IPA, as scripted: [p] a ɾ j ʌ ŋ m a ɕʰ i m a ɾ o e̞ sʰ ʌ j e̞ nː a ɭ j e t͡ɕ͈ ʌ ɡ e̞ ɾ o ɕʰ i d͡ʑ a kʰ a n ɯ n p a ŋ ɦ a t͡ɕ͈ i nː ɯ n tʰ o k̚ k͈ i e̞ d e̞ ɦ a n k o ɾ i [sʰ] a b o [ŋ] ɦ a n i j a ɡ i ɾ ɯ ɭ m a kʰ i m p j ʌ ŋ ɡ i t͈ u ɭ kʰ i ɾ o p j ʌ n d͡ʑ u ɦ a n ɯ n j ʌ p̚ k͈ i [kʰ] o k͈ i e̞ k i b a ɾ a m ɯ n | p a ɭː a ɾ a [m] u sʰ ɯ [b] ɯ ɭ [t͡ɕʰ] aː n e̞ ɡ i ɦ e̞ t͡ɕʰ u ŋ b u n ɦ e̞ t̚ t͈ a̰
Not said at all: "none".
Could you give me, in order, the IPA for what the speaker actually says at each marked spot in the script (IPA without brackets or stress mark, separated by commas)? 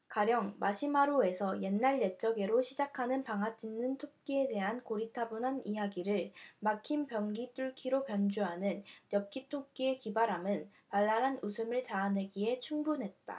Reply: k, tʰ, n, tʰ, n, m, t͡ɕ